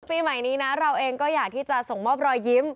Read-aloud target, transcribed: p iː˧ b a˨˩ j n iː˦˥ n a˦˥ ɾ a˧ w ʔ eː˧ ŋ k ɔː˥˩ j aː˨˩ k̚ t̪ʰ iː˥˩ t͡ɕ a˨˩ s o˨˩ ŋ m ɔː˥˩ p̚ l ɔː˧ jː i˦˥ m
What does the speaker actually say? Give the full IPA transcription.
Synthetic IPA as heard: p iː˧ m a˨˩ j n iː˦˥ n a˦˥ ɾ a˧ w ʔ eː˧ ŋ k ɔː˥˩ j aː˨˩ k̚ t̪ʰ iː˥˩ t͡ɕ a˨˩ s o˨˩ ŋ m ɔː˥˩ p̚ ɾ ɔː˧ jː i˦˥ m